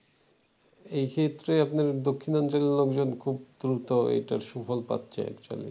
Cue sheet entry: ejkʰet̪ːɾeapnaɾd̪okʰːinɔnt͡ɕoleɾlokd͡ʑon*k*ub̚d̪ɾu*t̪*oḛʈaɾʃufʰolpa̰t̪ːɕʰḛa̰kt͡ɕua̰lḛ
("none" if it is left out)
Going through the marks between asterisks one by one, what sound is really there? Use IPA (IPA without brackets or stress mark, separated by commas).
kʰ, t̪